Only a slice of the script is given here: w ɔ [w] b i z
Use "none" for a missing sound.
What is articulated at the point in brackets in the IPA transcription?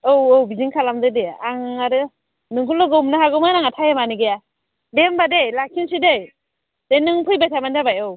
w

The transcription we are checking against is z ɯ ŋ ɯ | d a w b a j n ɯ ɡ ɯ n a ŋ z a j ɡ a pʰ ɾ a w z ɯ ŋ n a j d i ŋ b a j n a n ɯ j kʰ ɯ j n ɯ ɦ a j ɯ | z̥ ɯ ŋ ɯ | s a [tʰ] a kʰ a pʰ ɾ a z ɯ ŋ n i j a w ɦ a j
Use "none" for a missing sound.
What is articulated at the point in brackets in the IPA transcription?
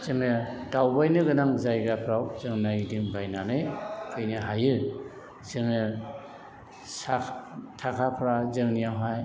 tʰ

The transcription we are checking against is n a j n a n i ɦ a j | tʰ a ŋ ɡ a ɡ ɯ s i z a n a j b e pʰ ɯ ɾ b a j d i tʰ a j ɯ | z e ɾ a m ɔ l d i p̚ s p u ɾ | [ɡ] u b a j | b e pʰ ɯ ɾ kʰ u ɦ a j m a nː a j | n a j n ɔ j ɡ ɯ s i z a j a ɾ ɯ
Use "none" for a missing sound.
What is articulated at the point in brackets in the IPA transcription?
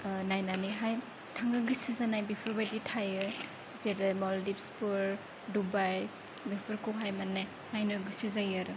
d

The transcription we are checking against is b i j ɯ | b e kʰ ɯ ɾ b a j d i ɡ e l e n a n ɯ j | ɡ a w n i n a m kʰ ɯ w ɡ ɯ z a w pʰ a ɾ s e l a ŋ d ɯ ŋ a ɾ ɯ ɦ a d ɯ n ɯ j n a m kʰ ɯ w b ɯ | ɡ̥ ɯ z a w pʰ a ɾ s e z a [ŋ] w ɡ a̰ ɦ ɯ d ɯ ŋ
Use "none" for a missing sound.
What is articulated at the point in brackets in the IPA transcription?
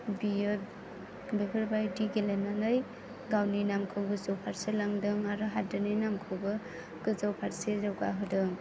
none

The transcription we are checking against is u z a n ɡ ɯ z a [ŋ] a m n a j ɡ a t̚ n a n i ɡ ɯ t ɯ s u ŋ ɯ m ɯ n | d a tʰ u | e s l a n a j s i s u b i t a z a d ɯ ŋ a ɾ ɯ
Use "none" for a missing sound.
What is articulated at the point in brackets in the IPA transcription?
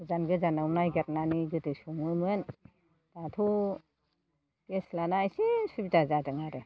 n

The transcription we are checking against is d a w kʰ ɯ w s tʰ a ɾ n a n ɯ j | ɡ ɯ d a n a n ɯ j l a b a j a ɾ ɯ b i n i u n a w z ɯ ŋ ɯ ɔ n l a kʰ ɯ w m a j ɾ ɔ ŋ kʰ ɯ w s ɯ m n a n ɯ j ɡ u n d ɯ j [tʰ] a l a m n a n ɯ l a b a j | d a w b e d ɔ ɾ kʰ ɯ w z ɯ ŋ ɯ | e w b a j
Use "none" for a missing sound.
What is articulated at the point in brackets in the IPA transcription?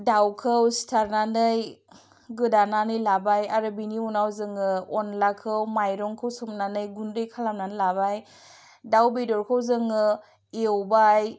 kʰ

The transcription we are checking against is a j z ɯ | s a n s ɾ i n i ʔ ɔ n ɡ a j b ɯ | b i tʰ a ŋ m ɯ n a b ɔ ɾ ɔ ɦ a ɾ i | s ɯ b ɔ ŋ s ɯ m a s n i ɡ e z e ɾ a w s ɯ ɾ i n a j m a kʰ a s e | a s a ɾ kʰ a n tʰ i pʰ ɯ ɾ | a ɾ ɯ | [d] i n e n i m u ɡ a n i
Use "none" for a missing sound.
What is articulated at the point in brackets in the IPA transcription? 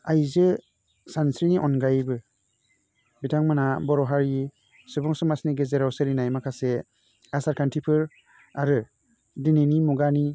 d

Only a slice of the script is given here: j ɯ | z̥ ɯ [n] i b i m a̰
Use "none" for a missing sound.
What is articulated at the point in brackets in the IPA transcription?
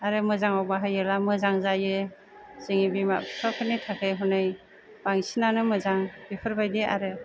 ŋ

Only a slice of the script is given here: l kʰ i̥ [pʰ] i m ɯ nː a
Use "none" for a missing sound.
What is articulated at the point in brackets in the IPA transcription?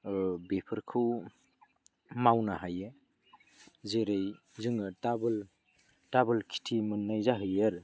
tʰ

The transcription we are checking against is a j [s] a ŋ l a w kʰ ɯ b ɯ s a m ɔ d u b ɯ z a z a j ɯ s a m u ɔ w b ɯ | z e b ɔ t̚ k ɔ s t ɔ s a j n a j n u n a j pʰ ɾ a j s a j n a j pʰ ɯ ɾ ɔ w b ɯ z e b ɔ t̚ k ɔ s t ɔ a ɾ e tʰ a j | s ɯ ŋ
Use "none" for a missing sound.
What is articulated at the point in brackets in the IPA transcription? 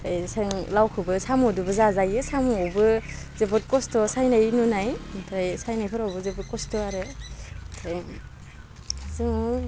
s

